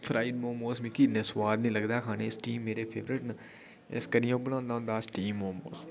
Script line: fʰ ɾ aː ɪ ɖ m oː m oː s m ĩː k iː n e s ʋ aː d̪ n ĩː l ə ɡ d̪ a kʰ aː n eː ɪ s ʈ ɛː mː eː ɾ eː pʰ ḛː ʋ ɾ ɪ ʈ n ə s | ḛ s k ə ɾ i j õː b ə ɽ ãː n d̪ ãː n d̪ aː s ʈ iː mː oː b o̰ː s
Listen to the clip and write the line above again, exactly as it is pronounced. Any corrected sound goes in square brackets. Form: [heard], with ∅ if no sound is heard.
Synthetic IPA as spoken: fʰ ɾ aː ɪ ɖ m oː m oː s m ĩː k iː n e s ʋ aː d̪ n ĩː l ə ɡ d̪ a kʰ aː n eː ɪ s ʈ [iː] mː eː ɾ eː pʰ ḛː ʋ ɾ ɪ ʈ n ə [∅] | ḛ s k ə ɾ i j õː b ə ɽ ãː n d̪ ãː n d̪ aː s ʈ iː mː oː [m] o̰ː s